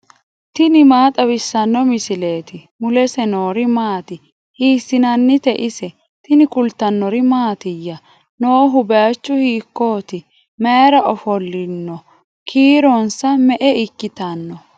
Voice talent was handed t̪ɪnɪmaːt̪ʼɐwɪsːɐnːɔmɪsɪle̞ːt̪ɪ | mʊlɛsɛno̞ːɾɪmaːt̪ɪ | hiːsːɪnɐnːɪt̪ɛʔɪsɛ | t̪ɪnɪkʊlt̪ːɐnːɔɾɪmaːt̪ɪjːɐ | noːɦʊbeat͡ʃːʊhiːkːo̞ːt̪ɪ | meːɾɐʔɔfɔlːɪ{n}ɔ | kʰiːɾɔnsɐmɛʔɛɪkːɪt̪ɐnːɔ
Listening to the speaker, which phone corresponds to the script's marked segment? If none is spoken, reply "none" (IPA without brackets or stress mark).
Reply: nː